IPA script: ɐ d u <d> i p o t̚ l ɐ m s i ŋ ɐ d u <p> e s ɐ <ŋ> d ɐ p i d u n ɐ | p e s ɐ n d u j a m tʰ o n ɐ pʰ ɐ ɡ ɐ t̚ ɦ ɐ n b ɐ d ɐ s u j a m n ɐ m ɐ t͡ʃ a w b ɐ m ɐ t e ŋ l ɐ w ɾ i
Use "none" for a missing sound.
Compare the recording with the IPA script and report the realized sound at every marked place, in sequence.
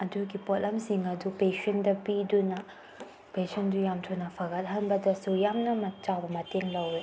ɡ, p, n

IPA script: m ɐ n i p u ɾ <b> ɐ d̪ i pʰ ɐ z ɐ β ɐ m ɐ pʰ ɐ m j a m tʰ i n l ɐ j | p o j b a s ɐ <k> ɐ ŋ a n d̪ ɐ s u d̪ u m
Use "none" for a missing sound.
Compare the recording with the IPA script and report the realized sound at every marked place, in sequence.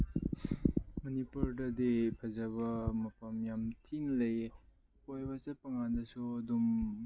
d, p

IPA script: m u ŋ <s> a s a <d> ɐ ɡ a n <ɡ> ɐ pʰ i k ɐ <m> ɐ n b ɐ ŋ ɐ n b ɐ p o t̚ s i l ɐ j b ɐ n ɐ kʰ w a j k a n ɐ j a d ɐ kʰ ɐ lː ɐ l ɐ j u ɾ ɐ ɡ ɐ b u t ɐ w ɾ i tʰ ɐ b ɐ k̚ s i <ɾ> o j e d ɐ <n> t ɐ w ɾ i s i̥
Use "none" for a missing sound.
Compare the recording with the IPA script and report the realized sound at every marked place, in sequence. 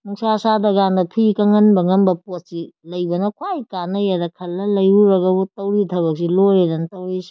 s, d, d, ŋ, l, n

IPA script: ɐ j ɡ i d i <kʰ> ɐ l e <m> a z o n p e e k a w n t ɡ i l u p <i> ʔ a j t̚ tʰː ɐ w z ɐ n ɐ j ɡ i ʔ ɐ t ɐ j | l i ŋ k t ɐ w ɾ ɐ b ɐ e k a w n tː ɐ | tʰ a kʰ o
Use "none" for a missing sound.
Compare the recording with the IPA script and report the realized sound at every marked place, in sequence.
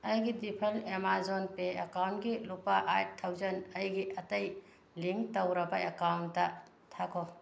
pʰ, m, a

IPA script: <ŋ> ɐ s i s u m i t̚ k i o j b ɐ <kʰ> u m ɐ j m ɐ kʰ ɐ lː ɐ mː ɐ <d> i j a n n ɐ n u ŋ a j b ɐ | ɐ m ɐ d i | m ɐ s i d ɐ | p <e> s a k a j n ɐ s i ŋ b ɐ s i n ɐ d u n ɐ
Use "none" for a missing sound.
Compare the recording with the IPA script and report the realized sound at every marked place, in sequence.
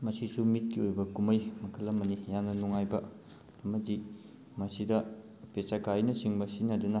m, k, n, e

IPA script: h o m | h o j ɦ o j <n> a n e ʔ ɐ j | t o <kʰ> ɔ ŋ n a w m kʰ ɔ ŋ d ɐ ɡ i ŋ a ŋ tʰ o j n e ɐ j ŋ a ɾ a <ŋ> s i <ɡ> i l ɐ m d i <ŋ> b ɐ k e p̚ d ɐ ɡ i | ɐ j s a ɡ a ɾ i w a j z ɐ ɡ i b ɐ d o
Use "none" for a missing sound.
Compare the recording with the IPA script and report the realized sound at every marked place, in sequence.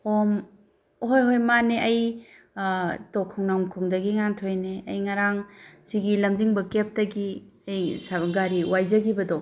m, kʰ, ŋ, ɡ, ŋ

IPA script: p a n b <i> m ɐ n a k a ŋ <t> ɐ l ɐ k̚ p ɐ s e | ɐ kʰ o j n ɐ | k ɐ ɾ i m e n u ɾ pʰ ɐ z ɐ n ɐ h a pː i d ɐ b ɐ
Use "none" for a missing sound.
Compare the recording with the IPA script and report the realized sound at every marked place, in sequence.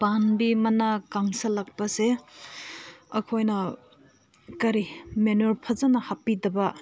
i, s

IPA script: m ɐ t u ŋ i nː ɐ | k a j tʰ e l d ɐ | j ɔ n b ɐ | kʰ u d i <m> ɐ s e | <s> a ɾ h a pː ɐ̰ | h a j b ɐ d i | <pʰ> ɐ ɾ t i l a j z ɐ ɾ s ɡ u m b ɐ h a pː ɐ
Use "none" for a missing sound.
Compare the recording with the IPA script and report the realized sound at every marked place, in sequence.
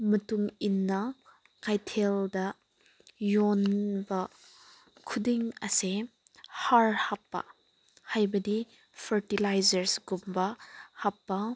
ŋ, h, pʰ

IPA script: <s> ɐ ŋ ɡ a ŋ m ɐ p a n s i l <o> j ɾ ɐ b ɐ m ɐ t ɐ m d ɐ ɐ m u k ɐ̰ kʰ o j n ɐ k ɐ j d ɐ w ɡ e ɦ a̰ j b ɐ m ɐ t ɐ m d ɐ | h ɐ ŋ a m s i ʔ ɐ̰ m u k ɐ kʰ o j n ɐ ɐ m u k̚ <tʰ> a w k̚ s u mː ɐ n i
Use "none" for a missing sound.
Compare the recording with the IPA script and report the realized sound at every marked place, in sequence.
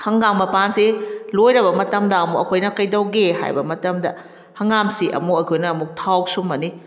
h, o, tʰ

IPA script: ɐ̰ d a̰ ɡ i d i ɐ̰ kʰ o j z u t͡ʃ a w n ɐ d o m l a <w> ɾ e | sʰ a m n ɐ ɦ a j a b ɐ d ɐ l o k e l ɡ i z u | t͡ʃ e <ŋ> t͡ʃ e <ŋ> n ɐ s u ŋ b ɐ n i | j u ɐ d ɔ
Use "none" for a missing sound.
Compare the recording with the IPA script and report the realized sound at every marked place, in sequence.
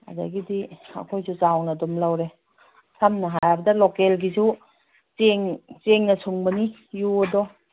w, ŋ, ŋ

